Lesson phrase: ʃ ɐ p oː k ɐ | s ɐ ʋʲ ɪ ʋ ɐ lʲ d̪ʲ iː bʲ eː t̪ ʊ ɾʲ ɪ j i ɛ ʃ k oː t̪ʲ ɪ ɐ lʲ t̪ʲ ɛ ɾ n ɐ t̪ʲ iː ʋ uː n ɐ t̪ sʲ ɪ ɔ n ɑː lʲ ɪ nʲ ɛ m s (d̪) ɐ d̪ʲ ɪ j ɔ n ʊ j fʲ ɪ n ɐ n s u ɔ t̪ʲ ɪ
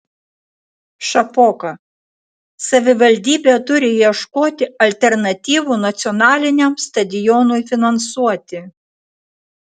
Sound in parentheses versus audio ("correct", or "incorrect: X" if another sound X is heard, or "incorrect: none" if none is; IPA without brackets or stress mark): incorrect: t̪